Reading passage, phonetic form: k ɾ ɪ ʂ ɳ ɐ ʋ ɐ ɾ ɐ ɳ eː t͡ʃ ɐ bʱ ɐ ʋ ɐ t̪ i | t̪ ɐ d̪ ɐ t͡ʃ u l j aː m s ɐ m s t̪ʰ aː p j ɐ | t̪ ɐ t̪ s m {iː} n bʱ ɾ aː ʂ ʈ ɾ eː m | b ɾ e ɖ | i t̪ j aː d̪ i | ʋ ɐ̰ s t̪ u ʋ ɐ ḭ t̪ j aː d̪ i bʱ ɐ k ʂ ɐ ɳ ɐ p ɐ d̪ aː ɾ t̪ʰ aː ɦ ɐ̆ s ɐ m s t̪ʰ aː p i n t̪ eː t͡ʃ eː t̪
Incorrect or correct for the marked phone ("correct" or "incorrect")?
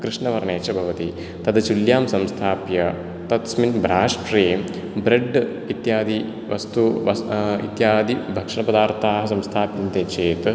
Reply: incorrect